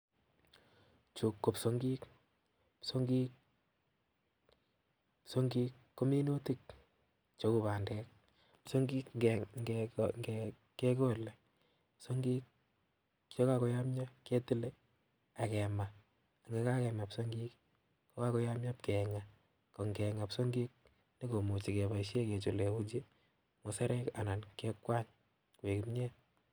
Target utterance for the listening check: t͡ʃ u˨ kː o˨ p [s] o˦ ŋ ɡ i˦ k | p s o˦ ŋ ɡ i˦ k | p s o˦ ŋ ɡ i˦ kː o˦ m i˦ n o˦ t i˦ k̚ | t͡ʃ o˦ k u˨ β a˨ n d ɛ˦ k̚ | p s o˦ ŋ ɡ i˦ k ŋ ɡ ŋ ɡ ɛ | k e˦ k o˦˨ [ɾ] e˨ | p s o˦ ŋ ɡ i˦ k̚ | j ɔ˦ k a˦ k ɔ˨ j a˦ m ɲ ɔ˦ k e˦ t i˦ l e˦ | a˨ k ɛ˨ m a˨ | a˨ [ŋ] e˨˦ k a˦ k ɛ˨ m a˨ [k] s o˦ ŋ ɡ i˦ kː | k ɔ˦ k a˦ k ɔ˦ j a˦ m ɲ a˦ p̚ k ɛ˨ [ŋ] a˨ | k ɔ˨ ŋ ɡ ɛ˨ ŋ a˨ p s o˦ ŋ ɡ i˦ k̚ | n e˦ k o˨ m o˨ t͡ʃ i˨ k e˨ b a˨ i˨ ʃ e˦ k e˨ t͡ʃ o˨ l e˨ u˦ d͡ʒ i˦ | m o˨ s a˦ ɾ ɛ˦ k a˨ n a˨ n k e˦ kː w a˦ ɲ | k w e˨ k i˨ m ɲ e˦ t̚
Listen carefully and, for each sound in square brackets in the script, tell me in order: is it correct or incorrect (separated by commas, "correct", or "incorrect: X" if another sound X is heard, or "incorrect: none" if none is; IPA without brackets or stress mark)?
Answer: correct, incorrect: l, correct, incorrect: p, correct